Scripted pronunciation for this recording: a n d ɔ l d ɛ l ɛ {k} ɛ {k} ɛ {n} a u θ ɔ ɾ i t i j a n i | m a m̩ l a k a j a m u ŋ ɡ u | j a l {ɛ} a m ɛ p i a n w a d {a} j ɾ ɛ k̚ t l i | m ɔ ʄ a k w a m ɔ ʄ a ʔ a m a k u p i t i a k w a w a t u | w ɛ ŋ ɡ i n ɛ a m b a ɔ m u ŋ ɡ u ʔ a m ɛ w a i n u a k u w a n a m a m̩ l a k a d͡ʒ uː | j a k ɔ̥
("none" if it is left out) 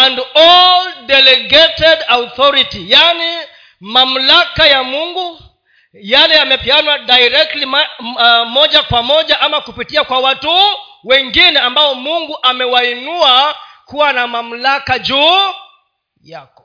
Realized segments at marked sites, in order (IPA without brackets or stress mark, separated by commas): ɡ, t, d, ɛ, a